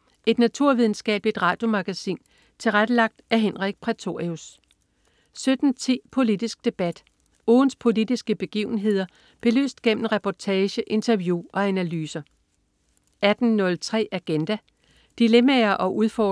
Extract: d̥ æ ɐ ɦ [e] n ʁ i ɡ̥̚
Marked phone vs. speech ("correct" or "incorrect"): correct